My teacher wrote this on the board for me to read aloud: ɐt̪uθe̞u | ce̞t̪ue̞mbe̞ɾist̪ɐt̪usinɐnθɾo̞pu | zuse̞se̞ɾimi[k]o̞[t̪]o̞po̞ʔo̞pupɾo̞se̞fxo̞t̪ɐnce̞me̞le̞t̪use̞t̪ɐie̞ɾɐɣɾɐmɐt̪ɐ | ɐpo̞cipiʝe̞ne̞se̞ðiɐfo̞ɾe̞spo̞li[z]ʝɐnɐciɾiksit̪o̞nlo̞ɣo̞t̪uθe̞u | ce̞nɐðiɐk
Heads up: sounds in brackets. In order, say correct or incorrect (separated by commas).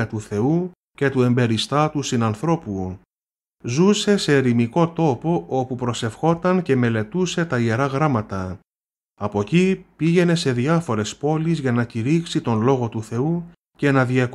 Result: correct, correct, correct